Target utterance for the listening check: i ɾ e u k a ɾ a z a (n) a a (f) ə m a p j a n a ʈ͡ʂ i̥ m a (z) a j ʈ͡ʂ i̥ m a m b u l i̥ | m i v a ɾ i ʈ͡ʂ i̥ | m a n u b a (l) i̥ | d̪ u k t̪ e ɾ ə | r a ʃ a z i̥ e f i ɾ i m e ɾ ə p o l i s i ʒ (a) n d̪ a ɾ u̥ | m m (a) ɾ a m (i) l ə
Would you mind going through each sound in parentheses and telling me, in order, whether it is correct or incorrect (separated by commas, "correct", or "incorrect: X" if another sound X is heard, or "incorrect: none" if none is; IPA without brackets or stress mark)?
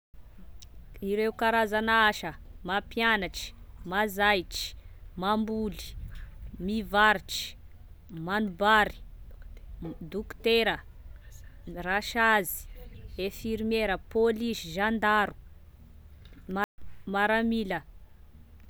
correct, incorrect: ʃ, correct, incorrect: ɾ, correct, correct, correct